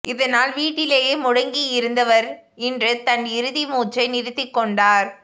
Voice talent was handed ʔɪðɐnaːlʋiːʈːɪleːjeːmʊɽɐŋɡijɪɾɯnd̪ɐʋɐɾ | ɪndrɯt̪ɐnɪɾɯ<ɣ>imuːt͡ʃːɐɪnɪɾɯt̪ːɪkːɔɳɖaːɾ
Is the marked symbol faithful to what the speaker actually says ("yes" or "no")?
no